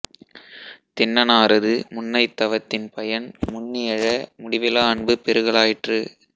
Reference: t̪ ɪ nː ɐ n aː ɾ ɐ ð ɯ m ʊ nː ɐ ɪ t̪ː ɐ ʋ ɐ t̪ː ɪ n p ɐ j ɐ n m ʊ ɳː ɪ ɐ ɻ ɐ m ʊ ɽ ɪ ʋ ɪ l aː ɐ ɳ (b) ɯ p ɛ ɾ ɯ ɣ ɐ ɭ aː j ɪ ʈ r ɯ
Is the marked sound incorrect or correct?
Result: correct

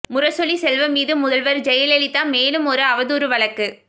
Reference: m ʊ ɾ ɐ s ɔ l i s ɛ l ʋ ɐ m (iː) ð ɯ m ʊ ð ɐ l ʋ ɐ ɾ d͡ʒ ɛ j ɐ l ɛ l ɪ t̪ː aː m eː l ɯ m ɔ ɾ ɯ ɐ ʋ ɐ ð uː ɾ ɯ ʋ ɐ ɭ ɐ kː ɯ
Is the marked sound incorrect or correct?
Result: correct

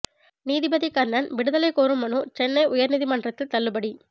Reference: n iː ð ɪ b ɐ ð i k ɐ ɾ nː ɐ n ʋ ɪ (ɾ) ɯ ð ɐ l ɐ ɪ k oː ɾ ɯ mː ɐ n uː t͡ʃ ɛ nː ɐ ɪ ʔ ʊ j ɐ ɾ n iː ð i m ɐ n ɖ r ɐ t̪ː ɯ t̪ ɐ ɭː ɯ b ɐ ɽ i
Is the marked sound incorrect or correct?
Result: incorrect: ɽ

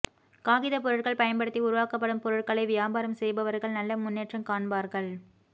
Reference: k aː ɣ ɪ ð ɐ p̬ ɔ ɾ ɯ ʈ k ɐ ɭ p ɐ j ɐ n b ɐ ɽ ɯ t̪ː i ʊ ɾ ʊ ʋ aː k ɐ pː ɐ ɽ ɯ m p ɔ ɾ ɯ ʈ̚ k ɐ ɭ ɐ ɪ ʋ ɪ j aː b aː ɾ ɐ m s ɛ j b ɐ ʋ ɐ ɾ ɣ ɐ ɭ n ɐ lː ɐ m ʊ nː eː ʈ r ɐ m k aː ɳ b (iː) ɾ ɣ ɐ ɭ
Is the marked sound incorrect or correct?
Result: incorrect: aː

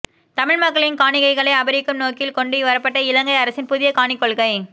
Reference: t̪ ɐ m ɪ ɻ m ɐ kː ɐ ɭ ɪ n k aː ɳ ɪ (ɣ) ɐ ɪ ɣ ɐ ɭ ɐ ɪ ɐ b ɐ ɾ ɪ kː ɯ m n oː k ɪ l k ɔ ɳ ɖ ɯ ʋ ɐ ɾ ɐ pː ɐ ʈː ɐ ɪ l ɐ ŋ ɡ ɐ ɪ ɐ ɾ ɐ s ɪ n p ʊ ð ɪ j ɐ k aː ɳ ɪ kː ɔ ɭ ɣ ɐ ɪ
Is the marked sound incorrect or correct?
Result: correct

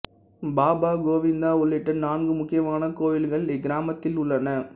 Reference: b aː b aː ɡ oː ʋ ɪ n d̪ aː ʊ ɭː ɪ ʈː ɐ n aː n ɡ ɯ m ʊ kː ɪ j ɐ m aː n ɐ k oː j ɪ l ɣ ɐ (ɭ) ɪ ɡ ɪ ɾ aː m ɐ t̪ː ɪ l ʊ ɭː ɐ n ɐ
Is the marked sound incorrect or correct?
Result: correct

